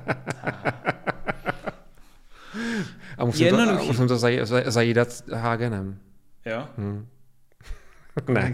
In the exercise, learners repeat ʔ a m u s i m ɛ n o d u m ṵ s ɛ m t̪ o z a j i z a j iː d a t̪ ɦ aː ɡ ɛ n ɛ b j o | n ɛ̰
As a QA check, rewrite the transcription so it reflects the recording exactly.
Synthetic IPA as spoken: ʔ a m u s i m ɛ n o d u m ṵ s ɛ m t̪ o z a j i z a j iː d a t̪ ɦ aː ɡ ɛ n ɛ m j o | n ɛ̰